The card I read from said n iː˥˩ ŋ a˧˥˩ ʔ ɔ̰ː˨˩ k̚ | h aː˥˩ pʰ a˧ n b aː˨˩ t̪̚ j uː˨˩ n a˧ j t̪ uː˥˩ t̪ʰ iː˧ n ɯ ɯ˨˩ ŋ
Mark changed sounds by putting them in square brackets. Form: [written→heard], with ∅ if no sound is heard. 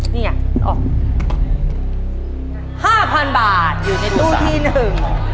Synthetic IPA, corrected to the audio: n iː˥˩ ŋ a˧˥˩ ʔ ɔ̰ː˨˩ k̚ | h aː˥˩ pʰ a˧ n b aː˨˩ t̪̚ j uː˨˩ n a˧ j t̪ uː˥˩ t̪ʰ [iː˧→iː˥˩] n ɯ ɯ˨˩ ŋ